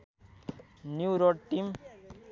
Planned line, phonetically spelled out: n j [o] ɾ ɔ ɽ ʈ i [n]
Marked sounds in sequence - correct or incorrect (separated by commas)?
incorrect, incorrect